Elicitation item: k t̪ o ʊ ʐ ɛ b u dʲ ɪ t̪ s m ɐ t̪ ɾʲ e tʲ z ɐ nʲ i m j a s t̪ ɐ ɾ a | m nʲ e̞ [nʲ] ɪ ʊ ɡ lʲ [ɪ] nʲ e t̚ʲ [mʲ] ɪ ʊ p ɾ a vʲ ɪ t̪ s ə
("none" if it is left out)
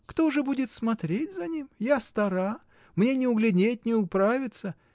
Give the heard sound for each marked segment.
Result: nʲ, ɪ, nʲ

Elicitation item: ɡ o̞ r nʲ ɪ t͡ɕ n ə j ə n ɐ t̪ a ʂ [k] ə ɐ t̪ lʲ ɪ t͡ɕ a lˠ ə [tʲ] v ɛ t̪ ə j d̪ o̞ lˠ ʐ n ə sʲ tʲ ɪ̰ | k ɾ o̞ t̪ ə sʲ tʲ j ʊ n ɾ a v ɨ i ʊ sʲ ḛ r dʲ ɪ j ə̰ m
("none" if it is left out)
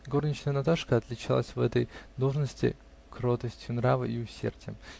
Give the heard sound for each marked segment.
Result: k, sʲ

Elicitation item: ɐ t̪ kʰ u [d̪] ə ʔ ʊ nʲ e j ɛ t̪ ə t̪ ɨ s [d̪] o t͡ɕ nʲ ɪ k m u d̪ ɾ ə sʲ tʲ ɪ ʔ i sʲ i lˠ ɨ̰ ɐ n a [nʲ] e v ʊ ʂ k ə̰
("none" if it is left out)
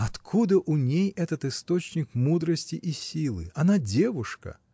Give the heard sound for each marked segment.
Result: d̪, t̪, dʲ

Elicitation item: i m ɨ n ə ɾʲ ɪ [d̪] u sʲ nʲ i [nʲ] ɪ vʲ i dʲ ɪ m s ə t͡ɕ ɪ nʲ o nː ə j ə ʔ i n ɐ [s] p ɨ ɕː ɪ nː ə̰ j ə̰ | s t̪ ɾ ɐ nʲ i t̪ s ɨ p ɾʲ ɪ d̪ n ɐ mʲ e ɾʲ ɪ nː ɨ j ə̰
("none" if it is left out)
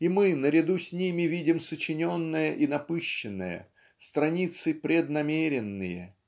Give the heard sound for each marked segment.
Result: d̪, mʲ, none

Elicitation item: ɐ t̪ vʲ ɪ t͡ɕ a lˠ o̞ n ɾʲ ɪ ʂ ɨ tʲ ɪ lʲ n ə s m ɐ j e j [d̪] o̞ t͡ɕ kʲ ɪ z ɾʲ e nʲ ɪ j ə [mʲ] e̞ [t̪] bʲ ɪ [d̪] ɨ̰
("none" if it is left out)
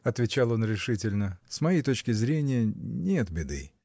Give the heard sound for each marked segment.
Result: t̪, nʲ, t̪, d̪

